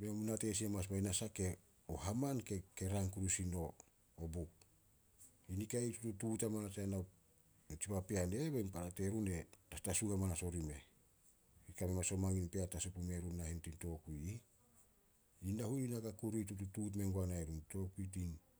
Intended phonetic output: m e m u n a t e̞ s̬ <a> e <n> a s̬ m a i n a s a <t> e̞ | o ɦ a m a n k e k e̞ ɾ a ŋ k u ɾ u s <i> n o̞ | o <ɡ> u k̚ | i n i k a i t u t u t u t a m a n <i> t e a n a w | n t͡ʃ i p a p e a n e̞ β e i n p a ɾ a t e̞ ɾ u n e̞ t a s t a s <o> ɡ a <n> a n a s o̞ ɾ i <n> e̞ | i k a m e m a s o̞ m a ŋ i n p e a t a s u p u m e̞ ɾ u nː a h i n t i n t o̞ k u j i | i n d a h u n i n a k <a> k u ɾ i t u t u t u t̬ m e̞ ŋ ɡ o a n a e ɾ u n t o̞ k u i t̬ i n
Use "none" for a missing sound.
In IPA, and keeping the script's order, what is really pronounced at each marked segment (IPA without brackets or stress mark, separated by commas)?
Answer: i, m, k, i, b, a, u, m, m, a